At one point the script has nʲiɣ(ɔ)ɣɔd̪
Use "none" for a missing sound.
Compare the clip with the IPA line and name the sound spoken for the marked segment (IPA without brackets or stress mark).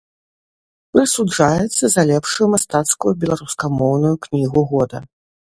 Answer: u